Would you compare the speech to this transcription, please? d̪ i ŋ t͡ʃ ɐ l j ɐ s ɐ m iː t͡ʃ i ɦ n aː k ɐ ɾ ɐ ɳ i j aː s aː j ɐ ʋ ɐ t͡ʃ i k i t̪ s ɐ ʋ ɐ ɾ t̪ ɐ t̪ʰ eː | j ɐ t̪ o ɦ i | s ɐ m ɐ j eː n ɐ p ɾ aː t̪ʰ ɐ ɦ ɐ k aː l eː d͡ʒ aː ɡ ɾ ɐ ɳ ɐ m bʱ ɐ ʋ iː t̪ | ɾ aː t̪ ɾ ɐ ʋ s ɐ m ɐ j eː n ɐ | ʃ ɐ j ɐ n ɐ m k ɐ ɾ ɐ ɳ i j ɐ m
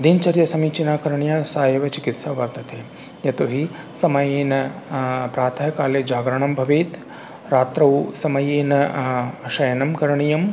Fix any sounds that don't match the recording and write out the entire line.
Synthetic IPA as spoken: d̪ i n t͡ʃ ɐ ɾ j ɐ s ɐ m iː t͡ʃ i n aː k ɐ ɾ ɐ ɳ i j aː s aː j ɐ ʋ ɐ t͡ʃ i k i t̪ s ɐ ʋ ɐ ɾ t̪ ɐ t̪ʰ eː | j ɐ t̪ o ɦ i | s ɐ m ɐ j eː n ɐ p ɾ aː t̪ʰ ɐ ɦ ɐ k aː l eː d͡ʒ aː ɡ ɾ ɐ ɳ ɐ m bʱ ɐ ʋ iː t̪ | ɾ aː t̪ ɾ ɐ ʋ s ɐ m ɐ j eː n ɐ | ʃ ɐ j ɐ n ɐ m k ɐ ɾ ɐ ɳ i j ɐ m